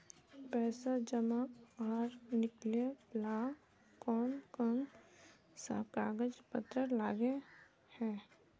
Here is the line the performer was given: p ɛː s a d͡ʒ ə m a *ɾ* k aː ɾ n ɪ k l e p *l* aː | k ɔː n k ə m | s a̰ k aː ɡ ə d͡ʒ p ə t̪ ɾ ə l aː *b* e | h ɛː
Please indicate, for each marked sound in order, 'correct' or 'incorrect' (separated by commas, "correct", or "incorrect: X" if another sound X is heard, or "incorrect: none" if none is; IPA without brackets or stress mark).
incorrect: none, correct, incorrect: ɡ